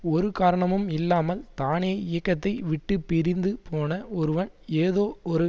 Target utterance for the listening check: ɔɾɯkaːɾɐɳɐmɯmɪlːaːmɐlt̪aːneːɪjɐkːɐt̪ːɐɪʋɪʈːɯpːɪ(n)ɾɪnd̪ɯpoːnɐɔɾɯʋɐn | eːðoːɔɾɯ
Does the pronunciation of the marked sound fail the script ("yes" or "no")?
yes